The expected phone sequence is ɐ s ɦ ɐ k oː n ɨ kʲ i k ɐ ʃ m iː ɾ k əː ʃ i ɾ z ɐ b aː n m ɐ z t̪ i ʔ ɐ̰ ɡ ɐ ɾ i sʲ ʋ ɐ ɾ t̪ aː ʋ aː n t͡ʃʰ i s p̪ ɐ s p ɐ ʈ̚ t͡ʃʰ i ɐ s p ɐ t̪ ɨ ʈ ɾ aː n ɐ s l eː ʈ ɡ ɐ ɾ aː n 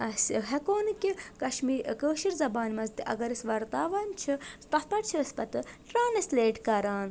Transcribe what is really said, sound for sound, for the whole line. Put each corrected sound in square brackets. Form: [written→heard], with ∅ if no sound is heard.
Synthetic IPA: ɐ s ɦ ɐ k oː n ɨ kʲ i k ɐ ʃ m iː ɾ k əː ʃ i ɾ z ɐ b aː n m ɐ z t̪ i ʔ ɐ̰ ɡ ɐ ɾ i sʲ ʋ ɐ ɾ t̪ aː ʋ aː n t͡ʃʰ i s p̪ ɐ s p ɐ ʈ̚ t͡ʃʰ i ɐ s p ɐ t̪ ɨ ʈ ɾ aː n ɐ s l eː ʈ [ɡ→k] ɐ ɾ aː n